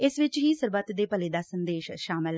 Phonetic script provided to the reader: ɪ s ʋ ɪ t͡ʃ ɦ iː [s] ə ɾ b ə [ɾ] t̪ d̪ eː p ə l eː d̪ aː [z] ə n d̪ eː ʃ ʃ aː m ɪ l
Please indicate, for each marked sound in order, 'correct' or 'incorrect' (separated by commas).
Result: correct, incorrect, incorrect